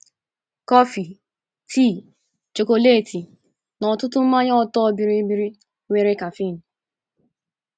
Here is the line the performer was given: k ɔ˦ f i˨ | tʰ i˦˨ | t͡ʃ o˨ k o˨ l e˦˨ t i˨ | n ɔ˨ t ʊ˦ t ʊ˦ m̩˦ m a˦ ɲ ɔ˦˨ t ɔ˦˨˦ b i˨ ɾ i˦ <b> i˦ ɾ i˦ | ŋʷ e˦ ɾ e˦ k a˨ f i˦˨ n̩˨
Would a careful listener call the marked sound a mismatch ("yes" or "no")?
no